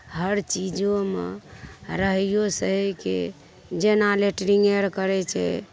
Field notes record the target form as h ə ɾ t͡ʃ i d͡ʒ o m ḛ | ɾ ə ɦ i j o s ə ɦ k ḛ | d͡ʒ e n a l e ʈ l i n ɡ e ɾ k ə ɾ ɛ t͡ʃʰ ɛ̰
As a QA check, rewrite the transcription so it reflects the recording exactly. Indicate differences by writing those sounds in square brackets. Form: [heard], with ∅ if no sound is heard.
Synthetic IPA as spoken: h ə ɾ t͡ʃ i d͡ʒ o m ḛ | ɾ ə ɦ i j o s ə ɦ k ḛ | d͡ʒ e n a l e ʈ [ɾ] i [ŋ] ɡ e ɾ k ə ɾ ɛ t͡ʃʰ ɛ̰